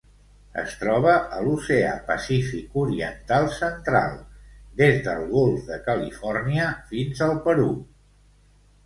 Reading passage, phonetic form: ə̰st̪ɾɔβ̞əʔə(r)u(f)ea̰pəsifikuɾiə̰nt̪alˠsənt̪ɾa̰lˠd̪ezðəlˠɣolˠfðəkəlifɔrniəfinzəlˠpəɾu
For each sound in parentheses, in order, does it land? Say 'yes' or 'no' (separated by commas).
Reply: no, no